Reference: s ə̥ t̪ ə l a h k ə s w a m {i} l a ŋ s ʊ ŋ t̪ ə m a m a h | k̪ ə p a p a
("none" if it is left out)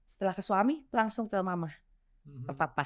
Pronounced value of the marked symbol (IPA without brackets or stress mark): i